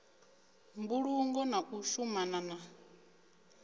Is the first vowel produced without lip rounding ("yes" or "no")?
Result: no